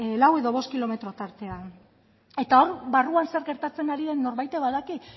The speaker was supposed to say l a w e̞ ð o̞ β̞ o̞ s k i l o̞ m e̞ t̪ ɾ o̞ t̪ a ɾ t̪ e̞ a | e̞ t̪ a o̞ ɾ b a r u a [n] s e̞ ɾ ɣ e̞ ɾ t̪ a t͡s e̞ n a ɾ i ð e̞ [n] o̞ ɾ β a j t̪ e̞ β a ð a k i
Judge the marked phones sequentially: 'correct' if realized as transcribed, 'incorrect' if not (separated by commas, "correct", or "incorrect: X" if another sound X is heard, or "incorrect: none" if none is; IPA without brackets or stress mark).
correct, incorrect: nː